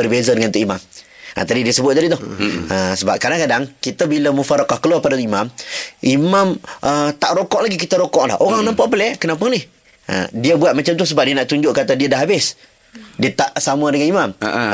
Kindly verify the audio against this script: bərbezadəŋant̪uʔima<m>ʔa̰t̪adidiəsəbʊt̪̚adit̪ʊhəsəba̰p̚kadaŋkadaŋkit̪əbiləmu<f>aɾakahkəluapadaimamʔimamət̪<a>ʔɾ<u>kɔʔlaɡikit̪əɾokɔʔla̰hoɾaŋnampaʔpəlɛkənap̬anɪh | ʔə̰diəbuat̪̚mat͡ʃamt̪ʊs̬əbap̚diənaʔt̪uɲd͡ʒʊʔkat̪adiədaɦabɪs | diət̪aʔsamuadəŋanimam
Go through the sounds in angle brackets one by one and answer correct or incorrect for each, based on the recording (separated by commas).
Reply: correct, correct, correct, incorrect